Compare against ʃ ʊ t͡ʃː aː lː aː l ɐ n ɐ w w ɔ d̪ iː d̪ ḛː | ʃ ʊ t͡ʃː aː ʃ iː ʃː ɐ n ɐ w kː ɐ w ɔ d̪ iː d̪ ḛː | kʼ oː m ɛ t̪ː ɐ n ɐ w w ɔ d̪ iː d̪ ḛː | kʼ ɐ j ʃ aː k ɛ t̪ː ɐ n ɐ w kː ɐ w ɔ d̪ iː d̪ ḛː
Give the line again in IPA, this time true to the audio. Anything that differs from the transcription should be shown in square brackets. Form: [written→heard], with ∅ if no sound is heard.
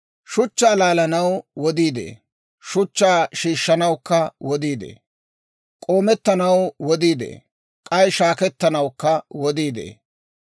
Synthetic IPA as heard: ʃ ʊ t͡ʃː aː [lː→l] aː l ɐ n ɐ w w ɔ d̪ iː d̪ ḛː | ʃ ʊ t͡ʃː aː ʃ iː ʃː ɐ n ɐ w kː ɐ w ɔ d̪ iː d̪ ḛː | kʼ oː m ɛ t̪ː ɐ n ɐ w w ɔ d̪ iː d̪ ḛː | kʼ ɐ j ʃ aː k ɛ t̪ː ɐ n ɐ w kː ɐ w ɔ d̪ iː d̪ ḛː